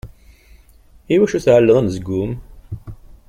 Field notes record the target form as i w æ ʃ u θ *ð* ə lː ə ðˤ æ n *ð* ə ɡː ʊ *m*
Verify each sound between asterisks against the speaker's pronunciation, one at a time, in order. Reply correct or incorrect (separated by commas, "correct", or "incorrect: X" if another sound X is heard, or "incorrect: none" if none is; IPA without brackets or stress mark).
incorrect: ʕ, incorrect: z, correct